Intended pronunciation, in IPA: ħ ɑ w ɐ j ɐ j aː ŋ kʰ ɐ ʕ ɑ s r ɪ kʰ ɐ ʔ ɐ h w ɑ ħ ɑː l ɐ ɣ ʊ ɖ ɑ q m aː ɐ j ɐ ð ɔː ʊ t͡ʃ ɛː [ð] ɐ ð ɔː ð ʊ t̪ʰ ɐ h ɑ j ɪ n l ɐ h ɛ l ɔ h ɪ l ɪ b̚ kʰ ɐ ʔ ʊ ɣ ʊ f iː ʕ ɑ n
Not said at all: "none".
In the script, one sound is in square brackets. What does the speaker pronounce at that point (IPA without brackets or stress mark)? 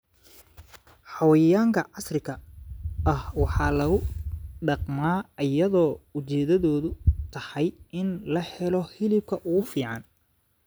ð